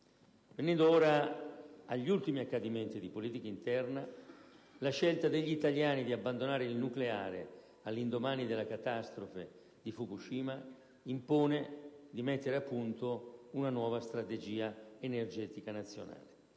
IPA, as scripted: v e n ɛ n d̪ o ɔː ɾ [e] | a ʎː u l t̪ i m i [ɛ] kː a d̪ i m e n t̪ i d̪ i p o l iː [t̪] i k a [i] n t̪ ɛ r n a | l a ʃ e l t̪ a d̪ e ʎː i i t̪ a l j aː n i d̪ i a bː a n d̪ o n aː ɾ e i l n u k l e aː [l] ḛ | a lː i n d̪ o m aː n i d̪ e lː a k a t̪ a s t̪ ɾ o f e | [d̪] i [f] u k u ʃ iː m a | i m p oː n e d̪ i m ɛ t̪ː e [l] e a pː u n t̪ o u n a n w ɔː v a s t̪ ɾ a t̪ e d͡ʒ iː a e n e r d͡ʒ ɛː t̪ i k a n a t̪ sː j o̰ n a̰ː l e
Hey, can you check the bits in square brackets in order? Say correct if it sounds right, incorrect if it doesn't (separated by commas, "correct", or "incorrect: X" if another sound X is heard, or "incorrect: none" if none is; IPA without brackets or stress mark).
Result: incorrect: a, incorrect: a, correct, correct, incorrect: ɾ, correct, correct, incorrect: ɾ